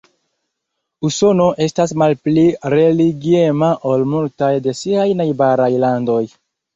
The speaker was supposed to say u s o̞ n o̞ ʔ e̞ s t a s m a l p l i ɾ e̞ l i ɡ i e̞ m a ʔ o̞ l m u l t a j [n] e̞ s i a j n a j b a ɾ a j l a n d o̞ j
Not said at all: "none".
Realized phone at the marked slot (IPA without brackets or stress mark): d